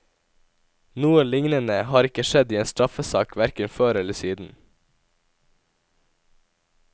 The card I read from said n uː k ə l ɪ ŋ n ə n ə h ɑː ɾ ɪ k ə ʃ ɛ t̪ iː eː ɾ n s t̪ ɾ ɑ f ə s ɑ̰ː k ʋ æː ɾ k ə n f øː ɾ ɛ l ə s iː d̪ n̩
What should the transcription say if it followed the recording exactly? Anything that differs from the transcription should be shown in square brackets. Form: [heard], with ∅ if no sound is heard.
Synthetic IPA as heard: n uː [∅] ə l ɪ ŋ n ə n ə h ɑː ɾ ɪ k ə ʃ ɛ [d̪] iː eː [∅] n s t̪ ɾ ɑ f ə s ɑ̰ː k ʋ [æ] ɾ k ə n f øː ɾ ɛ l ə s iː d̪ n̩